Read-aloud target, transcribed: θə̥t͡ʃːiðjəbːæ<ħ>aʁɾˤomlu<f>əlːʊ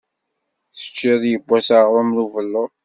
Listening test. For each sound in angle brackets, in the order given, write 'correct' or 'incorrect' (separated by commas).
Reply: incorrect, incorrect